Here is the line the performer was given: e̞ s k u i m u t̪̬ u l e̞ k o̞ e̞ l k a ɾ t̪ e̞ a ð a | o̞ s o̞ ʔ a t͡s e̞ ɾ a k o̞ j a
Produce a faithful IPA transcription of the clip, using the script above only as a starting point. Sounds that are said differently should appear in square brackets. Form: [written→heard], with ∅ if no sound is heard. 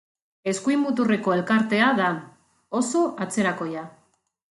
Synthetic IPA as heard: e̞ s k u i m u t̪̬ u [l→r] e̞ k o̞ e̞ l k a ɾ t̪ e̞ a ð a | o̞ s o̞ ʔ a t͡s e̞ ɾ a k o̞ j a